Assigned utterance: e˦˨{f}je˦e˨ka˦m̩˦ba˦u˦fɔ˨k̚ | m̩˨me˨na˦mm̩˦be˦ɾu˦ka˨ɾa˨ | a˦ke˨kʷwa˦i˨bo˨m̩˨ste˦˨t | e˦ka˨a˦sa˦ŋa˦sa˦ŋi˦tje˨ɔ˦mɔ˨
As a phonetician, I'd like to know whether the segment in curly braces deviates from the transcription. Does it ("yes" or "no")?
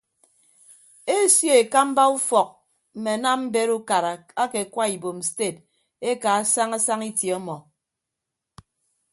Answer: yes